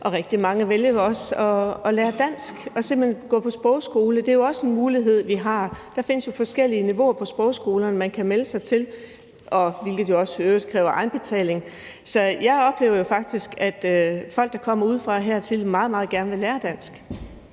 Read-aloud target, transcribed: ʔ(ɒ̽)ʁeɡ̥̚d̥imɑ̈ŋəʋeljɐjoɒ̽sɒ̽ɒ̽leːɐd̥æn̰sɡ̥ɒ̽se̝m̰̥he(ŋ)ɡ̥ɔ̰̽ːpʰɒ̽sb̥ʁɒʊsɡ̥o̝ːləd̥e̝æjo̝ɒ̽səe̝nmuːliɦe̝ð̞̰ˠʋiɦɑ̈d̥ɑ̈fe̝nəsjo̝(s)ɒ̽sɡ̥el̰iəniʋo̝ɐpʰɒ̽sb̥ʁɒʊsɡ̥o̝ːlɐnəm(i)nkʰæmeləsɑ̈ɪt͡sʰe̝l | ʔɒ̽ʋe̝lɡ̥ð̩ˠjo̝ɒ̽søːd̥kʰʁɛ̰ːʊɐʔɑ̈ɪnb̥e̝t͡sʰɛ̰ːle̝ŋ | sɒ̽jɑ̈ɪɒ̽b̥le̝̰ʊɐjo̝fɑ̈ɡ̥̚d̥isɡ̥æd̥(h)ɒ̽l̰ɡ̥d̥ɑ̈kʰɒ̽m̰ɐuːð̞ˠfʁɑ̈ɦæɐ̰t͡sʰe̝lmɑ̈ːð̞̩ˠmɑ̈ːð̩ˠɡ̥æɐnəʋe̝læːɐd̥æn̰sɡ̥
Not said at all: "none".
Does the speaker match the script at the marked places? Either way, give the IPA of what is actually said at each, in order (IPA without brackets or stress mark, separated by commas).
ɒ̽, n, f, æ, f